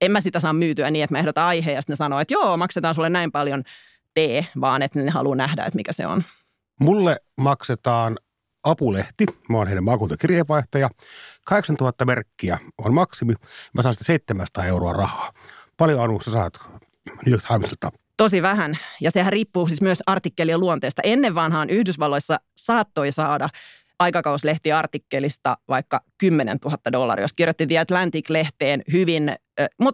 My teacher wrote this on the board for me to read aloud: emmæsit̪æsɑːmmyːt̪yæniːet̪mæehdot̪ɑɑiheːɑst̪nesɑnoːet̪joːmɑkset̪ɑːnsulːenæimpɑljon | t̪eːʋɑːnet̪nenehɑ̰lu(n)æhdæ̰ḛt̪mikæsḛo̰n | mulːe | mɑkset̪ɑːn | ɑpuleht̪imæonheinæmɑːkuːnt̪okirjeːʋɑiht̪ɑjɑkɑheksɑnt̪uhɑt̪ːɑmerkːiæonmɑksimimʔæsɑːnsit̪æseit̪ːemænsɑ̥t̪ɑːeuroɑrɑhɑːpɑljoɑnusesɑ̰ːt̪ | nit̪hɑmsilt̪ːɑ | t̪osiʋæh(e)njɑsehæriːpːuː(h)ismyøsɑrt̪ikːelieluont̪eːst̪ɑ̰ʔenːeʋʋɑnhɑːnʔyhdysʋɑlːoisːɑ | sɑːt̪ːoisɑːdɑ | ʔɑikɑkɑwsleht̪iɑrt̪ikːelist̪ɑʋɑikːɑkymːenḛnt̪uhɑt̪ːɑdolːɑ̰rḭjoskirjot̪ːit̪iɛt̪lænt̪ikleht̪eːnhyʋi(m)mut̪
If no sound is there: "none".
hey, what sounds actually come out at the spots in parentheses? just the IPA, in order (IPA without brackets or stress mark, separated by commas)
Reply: n, æ, s, n